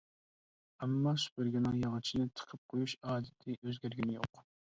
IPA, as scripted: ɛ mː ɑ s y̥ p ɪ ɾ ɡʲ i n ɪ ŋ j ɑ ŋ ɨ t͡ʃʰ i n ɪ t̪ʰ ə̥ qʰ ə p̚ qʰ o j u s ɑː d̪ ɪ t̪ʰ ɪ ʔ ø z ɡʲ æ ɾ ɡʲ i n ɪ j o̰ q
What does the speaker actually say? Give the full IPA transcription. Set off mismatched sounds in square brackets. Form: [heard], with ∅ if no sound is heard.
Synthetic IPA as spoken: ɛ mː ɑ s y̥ p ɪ ɾ ɡʲ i n ɪ ŋ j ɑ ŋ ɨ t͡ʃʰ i n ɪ t̪ʰ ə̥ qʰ ə p̚ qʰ o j u [ʃ] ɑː d̪ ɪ t̪ʰ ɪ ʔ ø z ɡʲ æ ɾ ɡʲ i n ɪ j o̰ q